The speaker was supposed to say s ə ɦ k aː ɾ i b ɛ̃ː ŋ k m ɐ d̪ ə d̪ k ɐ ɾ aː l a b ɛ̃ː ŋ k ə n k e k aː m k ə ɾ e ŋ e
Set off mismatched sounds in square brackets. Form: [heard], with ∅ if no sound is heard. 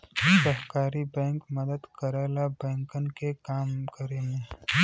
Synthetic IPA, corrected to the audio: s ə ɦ k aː ɾ i b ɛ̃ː ŋ k m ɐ d̪ ə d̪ k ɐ ɾ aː l a b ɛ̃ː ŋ k ə n k e k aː m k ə ɾ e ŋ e

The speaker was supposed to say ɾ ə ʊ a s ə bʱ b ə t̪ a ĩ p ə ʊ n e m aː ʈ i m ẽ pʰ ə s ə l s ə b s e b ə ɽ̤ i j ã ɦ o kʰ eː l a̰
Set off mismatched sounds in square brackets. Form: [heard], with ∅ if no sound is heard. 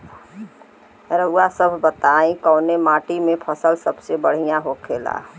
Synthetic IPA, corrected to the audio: ɾ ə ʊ a s ə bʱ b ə t̪ a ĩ [k] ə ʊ n e m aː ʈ i m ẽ pʰ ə s ə l s ə b s e b ə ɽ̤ i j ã ɦ o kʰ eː l a̰

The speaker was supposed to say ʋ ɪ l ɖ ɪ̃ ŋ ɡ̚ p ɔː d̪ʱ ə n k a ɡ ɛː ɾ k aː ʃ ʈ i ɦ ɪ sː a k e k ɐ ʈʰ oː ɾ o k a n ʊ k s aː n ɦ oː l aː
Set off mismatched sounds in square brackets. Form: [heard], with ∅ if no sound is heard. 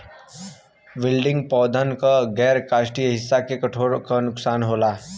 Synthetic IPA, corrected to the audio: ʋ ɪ l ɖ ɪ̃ ŋ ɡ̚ p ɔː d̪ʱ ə n k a ɡ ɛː ɾ k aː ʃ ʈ i ɦ ɪ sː a k e k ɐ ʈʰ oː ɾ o k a n ʊ k s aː n ɦ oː l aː

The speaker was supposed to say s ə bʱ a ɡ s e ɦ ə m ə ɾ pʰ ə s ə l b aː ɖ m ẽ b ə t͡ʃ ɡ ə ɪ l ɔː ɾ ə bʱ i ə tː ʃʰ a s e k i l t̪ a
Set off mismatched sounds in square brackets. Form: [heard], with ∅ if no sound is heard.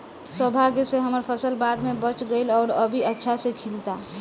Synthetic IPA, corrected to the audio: s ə bʱ a ɡ s e ɦ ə m ə ɾ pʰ ə s ə l b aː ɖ m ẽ b ə t͡ʃ ɡ ə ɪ l ɔː ɾ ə bʱ i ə tː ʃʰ a s e [kʰ] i l t̪ a

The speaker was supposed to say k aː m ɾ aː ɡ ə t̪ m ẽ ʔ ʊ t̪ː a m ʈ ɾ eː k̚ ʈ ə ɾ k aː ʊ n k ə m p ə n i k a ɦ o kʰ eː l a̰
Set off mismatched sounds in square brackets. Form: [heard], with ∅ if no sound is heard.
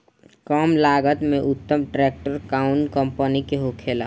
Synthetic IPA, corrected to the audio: k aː m [l] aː ɡ ə t̪ m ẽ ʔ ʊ t̪ː [ə] m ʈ ɾ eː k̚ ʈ ə ɾ k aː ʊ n k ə m p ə n i k [e] ɦ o kʰ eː l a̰

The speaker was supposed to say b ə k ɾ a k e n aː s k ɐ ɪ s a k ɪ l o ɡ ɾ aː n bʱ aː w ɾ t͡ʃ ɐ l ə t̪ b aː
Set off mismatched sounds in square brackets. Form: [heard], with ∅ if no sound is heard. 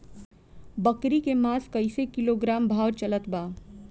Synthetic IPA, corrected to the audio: b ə k ɾ [i] k e [m] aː s k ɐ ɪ s [e] k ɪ l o ɡ ɾ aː [m] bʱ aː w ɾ t͡ʃ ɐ l ə t̪ b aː

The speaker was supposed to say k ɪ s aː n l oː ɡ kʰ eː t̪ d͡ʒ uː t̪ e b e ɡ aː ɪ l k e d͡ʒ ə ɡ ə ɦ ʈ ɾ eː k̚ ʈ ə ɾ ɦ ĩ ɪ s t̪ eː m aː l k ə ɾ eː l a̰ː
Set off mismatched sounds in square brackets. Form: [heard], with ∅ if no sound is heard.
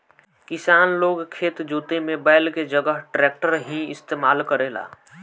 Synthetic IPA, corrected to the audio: k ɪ s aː n l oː ɡ kʰ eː t̪ d͡ʒ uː t̪ e [m] e [b] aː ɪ l k e d͡ʒ ə ɡ ə ɦ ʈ ɾ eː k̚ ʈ ə ɾ ɦ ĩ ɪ s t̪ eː m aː l k ə ɾ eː l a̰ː

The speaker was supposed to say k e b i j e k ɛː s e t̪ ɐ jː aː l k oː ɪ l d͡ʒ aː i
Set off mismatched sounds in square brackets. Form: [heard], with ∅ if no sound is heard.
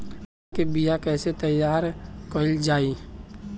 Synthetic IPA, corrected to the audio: k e b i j [a] k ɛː s e t̪ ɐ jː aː [ɾ] k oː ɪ l d͡ʒ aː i

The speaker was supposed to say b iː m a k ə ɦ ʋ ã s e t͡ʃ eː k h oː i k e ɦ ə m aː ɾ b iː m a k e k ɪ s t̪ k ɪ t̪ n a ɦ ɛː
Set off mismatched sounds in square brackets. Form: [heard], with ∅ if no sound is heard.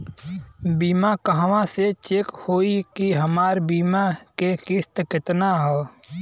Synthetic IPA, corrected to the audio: b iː m a k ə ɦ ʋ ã s e t͡ʃ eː k h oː i k [i] ɦ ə m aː ɾ b iː m a k e k ɪ s t̪ k ɪ t̪ n a ɦ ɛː

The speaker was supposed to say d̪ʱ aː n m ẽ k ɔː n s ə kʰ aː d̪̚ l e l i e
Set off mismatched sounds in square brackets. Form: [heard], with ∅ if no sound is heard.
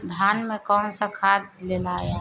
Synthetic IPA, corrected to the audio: d̪ʱ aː n m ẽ k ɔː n s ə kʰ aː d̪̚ l e l [a] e

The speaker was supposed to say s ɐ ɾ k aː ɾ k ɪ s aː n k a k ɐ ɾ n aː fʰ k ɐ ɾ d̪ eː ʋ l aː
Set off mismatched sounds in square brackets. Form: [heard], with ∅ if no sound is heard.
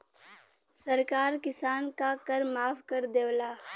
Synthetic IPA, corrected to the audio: s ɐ ɾ k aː ɾ k ɪ s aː n k a k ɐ ɾ [m] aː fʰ k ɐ ɾ d̪ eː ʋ l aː

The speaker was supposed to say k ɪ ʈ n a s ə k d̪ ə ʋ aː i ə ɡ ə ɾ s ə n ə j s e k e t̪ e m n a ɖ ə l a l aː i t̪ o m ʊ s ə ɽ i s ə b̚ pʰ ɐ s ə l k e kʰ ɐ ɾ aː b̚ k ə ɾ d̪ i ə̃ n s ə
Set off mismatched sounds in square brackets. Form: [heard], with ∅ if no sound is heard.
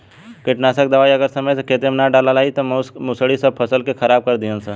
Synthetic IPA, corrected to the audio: k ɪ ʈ n a s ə k d̪ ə ʋ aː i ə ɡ ə ɾ s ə [m] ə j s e k e t̪ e m n a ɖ [a] l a l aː i t̪ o m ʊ s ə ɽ i s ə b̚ pʰ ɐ s ə l k e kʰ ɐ ɾ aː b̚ k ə ɾ d̪ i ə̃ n s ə

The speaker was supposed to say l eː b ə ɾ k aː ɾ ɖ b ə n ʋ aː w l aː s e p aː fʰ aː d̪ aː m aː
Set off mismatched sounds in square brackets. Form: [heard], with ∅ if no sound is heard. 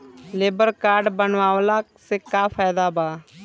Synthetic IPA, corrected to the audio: l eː b ə ɾ k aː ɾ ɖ b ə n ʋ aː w l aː s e [k] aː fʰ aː d̪ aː [b] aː

